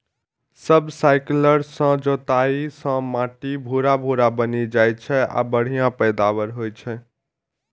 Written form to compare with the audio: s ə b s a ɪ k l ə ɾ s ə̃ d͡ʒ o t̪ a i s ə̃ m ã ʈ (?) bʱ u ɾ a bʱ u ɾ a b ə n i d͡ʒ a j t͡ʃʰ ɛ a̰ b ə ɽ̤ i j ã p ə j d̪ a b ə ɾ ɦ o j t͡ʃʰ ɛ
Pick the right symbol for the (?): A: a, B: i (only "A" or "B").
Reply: B